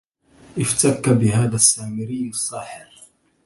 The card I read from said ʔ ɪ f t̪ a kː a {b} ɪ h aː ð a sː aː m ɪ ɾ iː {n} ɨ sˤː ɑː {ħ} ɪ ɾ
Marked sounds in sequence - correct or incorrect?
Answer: correct, correct, correct

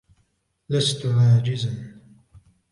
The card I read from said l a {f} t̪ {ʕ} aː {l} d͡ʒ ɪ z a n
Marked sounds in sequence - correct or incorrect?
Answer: incorrect: s, correct, incorrect: none

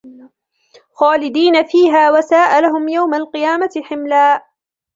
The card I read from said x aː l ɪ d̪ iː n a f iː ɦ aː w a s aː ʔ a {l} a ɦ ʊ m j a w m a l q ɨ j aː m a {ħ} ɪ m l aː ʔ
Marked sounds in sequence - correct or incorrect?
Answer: correct, correct

